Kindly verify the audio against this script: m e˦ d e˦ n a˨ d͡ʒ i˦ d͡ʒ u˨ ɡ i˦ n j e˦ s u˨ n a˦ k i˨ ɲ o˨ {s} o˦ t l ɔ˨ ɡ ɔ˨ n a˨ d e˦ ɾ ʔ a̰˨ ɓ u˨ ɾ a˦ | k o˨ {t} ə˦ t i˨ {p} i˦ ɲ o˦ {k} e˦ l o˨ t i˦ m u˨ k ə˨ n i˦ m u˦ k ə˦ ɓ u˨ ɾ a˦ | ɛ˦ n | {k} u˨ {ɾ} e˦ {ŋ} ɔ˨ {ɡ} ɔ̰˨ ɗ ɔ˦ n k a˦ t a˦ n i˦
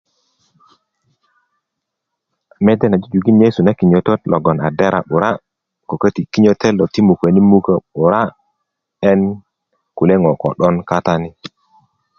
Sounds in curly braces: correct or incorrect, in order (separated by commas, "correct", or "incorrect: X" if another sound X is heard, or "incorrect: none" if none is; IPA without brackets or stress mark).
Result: incorrect: t, incorrect: k, incorrect: k, incorrect: t, correct, incorrect: l, correct, incorrect: k